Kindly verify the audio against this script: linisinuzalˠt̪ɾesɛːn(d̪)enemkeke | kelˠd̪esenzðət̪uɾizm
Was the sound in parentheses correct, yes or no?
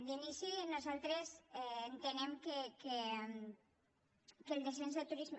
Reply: no